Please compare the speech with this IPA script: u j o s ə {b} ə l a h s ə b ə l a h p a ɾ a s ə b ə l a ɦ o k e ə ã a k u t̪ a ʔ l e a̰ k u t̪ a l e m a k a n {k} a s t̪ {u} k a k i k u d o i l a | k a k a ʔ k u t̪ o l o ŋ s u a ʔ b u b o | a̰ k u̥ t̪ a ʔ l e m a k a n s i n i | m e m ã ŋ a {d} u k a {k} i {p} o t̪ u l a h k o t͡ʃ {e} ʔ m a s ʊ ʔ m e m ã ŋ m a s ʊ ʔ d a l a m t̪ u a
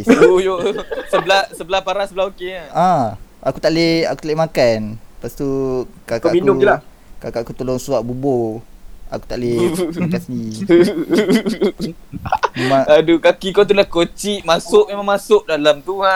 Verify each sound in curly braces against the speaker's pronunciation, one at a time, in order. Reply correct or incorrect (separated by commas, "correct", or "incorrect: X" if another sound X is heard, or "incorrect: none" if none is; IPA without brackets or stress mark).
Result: correct, incorrect: p, correct, correct, correct, incorrect: k, incorrect: i